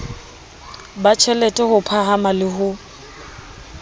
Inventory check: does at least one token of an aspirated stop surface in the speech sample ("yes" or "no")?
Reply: yes